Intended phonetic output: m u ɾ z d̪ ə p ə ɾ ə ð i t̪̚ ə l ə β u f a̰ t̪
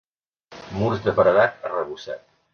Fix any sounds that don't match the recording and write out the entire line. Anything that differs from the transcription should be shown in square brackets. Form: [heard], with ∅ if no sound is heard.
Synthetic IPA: m u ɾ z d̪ ə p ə ɾ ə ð [a] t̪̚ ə [r] ə β u [s] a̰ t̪